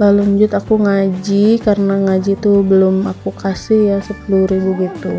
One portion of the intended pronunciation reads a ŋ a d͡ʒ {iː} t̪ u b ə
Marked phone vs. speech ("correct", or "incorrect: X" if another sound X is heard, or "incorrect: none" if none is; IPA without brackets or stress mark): incorrect: i